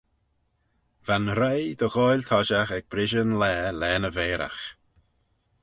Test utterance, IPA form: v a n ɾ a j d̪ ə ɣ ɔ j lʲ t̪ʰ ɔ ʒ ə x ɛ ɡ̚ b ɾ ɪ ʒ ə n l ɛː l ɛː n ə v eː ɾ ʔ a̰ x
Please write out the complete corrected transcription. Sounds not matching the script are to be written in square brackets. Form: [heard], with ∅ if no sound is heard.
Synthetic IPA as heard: v a n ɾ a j d̪ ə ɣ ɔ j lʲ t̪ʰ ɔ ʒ [a] x ɛ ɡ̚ b ɾ ɪ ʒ ə n l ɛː l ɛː n ə v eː ɾ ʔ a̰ x